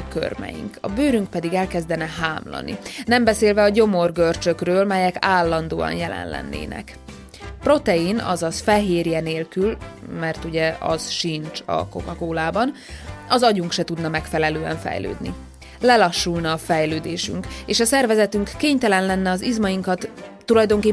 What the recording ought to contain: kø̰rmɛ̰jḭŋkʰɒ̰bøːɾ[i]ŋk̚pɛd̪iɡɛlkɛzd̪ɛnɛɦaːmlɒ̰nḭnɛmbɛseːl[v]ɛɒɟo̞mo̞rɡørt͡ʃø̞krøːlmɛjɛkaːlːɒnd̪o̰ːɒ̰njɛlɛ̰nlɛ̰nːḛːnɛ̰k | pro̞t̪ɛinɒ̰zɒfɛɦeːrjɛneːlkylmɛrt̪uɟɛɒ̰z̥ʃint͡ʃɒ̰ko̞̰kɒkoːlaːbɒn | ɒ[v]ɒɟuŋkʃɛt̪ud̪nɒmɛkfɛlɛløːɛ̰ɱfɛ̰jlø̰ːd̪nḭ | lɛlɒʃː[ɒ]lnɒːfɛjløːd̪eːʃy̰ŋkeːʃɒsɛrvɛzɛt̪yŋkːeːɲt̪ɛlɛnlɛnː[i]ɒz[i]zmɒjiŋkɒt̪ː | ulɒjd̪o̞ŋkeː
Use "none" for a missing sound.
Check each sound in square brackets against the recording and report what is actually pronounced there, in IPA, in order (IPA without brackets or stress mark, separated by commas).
y, v, z, u, ɛ, i